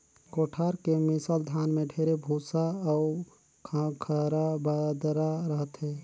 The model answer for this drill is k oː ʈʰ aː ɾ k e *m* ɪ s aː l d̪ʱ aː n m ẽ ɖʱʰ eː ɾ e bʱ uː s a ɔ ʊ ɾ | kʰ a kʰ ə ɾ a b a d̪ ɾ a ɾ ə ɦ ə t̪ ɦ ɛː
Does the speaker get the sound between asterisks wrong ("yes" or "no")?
no